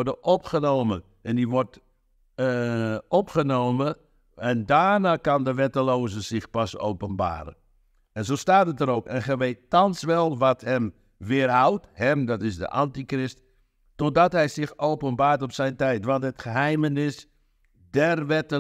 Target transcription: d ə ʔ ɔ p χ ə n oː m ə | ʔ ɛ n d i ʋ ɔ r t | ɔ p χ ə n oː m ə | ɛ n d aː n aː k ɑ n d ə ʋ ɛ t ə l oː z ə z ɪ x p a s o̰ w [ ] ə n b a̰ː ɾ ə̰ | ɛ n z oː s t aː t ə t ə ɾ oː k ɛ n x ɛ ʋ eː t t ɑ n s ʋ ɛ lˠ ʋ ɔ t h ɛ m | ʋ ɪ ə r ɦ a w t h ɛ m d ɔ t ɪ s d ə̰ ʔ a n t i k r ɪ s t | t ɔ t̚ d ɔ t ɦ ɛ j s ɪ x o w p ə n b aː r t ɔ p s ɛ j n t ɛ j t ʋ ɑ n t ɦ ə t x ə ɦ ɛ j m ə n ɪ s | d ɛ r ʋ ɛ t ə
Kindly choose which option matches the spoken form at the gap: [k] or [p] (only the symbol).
p